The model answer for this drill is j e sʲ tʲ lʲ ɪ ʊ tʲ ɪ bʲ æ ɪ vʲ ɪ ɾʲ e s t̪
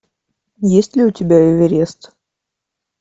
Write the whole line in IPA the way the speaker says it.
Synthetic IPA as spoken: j e sʲ tʲ lʲ ɪ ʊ tʲ ɪ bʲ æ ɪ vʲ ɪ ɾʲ e s t̪